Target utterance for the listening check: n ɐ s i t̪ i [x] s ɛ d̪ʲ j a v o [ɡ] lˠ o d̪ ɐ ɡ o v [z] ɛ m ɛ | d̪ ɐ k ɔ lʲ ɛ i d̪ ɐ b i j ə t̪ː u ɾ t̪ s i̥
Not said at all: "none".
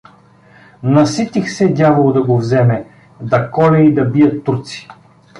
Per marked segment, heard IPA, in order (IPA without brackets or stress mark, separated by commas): x, none, z